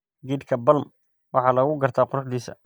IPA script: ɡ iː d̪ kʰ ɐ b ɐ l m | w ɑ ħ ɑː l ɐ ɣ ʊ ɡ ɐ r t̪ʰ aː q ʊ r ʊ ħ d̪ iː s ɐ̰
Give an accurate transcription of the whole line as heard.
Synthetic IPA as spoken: ɡ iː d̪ kʰ ɐ b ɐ l m | w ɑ ħ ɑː l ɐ ɣ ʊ ɡ ɐ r t̪ʰ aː q ʊ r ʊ ħ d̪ iː s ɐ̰